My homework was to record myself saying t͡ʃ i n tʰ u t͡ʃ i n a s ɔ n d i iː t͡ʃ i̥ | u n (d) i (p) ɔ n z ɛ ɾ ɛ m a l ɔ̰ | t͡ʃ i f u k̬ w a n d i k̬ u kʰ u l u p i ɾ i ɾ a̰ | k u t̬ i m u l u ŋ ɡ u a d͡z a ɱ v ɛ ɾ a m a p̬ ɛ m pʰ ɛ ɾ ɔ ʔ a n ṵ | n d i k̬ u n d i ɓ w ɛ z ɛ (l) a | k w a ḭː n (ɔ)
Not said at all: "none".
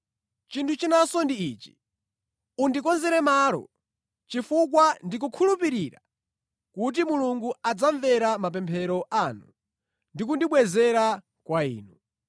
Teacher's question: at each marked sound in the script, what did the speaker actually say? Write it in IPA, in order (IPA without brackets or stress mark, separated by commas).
d, k, ɾ, u